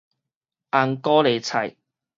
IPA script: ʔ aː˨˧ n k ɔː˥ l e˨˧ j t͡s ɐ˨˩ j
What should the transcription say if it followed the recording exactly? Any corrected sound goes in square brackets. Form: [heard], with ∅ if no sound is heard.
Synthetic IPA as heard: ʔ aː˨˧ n k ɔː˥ l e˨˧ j [t͡sʰ] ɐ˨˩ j